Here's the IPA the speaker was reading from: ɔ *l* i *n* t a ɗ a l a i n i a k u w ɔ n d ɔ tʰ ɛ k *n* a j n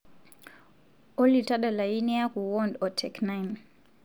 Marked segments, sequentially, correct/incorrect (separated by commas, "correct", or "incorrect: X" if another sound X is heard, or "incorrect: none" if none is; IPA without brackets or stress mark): correct, incorrect: none, correct